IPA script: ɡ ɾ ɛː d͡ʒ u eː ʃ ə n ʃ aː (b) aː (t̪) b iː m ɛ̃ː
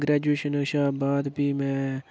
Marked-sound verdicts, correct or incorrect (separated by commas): correct, incorrect